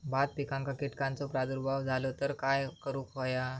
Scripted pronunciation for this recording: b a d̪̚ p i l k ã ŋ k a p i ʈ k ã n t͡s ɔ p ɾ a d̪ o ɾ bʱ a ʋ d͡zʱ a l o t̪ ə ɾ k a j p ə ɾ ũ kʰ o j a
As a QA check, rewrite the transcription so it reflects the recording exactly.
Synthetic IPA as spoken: b a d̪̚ p i k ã ŋ k a k i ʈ k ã n t͡s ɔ p ɾ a d̪ u ɾ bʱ a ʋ d͡zʱ a l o t̪ ə ɾ k a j k ə ɾ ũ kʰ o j a